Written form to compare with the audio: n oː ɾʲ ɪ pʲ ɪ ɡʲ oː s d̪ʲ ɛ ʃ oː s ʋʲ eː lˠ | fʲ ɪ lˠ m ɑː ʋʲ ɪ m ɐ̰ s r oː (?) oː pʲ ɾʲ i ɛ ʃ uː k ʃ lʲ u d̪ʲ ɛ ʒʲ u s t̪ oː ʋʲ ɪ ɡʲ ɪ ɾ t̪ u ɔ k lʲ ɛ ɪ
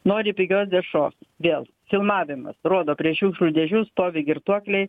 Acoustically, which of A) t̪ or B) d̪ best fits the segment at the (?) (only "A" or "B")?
B